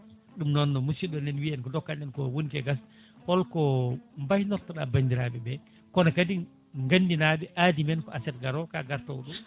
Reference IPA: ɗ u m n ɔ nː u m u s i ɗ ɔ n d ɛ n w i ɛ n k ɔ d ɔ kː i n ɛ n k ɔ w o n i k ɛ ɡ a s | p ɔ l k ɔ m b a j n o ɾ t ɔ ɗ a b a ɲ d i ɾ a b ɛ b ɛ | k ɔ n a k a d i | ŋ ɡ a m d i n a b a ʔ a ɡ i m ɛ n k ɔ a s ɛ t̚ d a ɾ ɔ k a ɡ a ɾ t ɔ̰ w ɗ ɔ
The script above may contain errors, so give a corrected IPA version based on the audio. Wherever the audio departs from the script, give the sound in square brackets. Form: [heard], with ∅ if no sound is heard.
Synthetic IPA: ɗ u m n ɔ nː [ɔ] m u s i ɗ ɔ n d ɛ n w i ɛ n k ɔ d ɔ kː [a] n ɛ n k ɔ w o n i k ɛ ɡ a s | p ɔ l k ɔ m b a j n [ɔ] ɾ t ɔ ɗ a b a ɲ d i ɾ a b ɛ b ɛ | k ɔ n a k a d i | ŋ ɡ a [n] d i n a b [ɛ] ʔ a [d] i m ɛ n k ɔ a s ɛ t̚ [ɡ] a ɾ ɔ k a ɡ a ɾ t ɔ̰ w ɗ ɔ

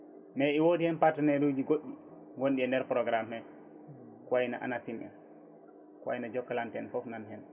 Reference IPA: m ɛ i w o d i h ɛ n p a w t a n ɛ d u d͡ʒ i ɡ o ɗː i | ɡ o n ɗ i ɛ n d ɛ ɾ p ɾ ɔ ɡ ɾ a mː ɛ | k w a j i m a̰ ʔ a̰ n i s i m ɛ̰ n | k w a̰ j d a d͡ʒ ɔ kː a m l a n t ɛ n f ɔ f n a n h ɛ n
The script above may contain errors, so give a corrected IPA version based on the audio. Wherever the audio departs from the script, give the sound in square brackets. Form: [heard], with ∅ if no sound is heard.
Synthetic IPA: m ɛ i w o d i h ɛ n p a [∅] t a n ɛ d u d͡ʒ i ɡ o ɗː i | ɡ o n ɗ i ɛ n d ɛ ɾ p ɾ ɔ ɡ ɾ a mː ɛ | k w a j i [n] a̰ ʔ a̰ n [a] s i m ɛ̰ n | k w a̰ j [n] a d͡ʒ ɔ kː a [∅] l a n t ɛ n f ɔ f n a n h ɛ n

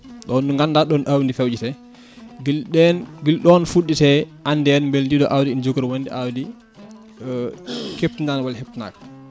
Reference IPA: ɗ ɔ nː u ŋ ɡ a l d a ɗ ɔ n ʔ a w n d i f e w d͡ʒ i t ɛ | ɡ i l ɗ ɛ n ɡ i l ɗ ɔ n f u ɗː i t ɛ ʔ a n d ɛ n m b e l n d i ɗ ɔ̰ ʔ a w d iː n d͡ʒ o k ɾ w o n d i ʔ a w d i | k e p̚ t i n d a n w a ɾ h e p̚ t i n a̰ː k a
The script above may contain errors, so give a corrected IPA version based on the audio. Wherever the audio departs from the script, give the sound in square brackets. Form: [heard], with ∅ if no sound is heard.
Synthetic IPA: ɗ ɔ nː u ŋ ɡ a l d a ɗ ɔ n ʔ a w n d i f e w d͡ʒ i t ɛ | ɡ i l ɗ ɛ n ɡ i l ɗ ɔ n f u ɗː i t ɛ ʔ a n d ɛ n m b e l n d i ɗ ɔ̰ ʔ a w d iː n d͡ʒ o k ɾ w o n d i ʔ a w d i | k e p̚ t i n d a n w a [l] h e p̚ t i n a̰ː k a

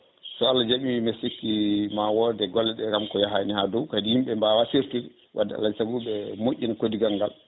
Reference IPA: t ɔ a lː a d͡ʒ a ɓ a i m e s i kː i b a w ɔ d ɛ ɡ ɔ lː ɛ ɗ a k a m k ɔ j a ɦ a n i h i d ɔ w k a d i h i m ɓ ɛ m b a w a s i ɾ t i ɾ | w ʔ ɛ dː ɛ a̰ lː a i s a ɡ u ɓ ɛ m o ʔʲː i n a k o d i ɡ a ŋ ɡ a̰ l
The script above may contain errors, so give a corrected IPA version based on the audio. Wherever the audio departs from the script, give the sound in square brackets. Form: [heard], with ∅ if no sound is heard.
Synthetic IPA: [s] ɔ a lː a d͡ʒ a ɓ [i] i m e s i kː i [m] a w ɔ d ɛ ɡ ɔ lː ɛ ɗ [ɛ] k a m k ɔ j a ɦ a n i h [a] d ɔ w k a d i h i m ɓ ɛ m b a w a s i ɾ t i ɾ | w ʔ [a] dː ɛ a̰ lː a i s a ɡ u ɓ ɛ m o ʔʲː i n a k o d i ɡ a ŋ ɡ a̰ l

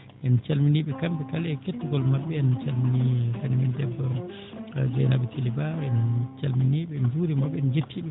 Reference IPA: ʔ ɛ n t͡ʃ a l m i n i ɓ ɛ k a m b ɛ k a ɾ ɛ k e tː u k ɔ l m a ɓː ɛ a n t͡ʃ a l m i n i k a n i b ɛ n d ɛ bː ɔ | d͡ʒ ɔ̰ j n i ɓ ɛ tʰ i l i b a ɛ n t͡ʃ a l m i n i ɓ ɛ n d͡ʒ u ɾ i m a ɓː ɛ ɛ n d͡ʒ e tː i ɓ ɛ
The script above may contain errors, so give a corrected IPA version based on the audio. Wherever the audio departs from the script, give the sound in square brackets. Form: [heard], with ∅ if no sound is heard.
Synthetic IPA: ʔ ɛ n t͡ʃ a l m i n i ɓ ɛ k a m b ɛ k a [l] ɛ k e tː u [ɡ] ɔ l m a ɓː ɛ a n t͡ʃ a l m i n i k a n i [m] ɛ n d ɛ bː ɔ | d͡ʒ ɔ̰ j n [a] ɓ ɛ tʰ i l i b a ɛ n t͡ʃ a l m i n i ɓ ɛ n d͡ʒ u ɾ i m a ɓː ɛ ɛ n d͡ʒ e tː i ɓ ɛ

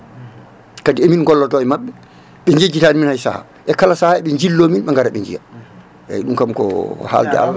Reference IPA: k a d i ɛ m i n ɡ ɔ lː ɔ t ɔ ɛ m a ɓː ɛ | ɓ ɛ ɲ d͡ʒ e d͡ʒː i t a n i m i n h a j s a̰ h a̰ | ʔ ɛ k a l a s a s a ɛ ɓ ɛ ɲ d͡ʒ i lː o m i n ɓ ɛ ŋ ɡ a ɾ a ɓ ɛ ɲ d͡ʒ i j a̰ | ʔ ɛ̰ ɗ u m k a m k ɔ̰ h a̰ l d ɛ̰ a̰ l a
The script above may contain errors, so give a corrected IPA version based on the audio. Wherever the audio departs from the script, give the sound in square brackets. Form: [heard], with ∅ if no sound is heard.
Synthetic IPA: k a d i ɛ m i n ɡ ɔ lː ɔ t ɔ ɛ m a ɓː ɛ | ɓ ɛ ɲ d͡ʒ e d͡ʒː i t a n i m i n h a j s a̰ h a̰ | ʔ ɛ k a l a s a [h] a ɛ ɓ ɛ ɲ d͡ʒ i lː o m i n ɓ ɛ ŋ ɡ a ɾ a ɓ ɛ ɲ d͡ʒ i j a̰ | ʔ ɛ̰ ɗ u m k a m k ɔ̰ h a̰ l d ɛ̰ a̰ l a

